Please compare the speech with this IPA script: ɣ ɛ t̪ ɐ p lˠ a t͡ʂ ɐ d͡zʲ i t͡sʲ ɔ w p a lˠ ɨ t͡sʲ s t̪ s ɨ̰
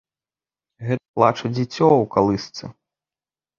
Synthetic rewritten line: ɣ ɛ t̪ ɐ p lˠ a t͡ʂ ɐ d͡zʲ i t͡sʲ ɔ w k a lˠ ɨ s t̪ s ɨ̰